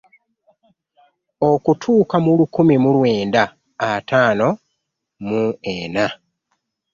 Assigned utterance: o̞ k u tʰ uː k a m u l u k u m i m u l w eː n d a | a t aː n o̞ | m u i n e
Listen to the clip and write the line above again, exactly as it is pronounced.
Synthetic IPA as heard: o̞ k u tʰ uː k a m u l u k u m i m u l w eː n d a | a t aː n o̞ | m u e n a